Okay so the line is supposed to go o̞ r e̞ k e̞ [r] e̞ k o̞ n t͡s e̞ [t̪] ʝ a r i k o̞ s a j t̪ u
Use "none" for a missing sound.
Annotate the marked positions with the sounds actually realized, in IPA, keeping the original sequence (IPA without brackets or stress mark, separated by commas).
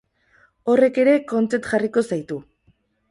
ɾ, t̪